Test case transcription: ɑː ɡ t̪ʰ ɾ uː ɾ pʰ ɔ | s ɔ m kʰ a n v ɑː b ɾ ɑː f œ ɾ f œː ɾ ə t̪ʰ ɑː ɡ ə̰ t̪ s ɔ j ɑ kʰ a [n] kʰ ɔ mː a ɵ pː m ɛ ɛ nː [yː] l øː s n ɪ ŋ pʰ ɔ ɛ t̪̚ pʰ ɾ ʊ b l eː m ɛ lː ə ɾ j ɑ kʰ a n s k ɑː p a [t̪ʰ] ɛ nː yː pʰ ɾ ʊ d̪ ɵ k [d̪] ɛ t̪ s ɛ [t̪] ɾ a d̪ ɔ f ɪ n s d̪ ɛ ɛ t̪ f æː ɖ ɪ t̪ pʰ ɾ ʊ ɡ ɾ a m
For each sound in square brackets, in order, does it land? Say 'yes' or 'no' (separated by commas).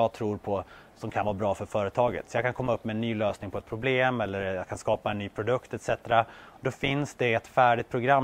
yes, yes, no, no, yes